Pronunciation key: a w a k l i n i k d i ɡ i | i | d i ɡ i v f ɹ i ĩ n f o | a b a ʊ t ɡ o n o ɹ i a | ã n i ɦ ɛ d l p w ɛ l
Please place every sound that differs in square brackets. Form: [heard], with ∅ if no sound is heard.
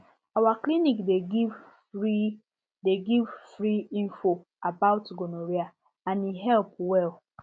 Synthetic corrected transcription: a w a k l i n i k d [e] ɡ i | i | d [e] ɡ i v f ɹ i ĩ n f o | a b a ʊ t ɡ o n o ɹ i a | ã n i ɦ ɛ [∅] l p w ɛ l